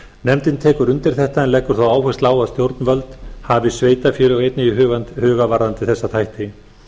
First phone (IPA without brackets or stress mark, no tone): n